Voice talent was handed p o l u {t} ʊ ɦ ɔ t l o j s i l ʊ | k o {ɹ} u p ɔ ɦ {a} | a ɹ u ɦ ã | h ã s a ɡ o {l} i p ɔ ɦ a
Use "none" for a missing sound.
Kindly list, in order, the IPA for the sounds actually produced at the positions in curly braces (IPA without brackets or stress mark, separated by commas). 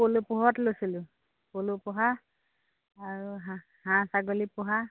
p, l, a, l